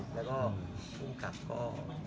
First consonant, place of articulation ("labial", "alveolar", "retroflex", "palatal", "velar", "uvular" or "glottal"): alveolar